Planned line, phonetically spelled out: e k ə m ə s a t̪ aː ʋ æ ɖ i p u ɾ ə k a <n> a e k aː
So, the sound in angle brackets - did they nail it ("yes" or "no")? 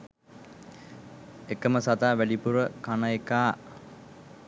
yes